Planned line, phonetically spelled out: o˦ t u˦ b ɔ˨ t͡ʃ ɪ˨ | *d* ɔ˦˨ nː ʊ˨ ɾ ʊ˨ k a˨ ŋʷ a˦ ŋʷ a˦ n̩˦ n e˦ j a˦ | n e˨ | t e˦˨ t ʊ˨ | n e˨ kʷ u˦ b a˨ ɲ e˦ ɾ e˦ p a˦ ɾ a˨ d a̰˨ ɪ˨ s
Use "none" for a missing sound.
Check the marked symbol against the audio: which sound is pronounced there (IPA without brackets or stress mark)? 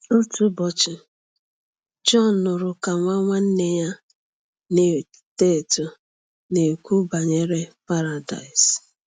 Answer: d͡ʒ